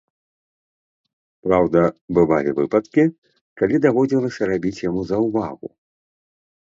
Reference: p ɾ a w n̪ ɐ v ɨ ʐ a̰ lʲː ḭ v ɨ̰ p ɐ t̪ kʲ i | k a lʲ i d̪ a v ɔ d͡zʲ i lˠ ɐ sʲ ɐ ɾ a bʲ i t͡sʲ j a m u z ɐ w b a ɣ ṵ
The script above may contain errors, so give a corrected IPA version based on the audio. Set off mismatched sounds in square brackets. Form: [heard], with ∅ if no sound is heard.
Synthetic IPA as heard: p ɾ a w [d̪] ɐ [b] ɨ [v] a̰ [lʲ] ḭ v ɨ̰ p ɐ t̪ kʲ i | k a lʲ i d̪ a v ɔ d͡zʲ i lˠ ɐ sʲ ɐ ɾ a bʲ i t͡sʲ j a m u z ɐ w [v] a ɣ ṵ